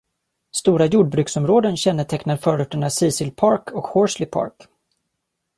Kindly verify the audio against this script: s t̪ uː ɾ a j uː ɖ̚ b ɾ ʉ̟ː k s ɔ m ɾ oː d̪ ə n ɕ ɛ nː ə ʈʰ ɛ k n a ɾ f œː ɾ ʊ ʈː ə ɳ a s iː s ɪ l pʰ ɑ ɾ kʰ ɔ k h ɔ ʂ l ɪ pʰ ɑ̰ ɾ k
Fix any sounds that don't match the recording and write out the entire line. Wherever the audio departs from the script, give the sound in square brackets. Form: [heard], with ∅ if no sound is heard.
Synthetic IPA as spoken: s t̪ uː ɾ a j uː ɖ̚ b ɾ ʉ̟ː k s ɔ m ɾ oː d̪ ə n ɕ ɛ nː ə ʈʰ ɛ k n a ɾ f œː ɾ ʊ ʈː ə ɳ a s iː s ɪ l pʰ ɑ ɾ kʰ ɔ k h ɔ ʂ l ɪ pʰ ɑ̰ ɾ k